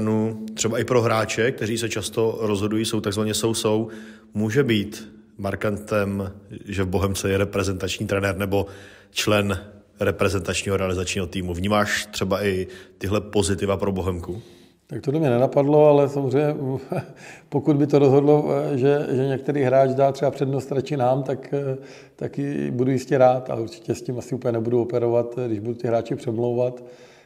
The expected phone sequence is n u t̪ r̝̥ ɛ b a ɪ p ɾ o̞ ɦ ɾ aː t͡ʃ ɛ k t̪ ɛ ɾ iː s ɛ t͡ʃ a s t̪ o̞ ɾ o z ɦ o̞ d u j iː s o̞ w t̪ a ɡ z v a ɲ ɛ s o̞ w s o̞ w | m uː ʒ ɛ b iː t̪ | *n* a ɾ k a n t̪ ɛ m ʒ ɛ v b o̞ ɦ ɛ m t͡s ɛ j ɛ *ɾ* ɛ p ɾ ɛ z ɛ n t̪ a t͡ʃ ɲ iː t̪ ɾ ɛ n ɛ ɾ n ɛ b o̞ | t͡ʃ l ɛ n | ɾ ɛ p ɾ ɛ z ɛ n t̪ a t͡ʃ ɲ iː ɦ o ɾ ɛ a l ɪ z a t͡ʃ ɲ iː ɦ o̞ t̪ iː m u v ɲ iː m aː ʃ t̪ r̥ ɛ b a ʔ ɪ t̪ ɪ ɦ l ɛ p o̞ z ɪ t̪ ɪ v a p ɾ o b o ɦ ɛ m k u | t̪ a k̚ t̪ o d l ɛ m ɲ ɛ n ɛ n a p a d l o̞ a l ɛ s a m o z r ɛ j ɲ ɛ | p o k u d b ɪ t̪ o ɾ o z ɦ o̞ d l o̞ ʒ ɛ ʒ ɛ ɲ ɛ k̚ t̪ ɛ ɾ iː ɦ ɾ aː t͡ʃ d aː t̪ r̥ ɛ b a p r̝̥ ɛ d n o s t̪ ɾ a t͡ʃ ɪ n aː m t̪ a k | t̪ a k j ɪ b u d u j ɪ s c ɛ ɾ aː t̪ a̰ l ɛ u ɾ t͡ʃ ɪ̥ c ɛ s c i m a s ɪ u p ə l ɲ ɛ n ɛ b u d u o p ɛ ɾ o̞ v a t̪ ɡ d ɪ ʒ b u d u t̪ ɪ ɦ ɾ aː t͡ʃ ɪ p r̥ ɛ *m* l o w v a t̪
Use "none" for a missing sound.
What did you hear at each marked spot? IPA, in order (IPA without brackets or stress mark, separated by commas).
m, ɾ, m